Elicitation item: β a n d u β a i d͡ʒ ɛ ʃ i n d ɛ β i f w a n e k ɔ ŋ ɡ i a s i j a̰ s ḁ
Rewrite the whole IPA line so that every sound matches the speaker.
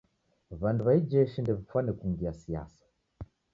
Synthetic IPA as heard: β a n d u β a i d͡ʒ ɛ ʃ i n d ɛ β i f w a n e k u ŋ ɡ i a s i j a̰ s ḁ